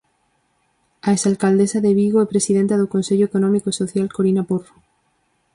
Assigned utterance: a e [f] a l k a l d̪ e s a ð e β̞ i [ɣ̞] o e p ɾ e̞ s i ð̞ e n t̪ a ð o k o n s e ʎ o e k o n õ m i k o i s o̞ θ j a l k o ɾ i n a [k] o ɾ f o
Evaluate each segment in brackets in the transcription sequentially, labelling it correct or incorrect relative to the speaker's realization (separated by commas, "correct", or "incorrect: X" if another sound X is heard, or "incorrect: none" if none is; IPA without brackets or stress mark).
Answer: incorrect: s, correct, incorrect: p